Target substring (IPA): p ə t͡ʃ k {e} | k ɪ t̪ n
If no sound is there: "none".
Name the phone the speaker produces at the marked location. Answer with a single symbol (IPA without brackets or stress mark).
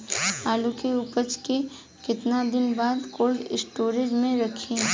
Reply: e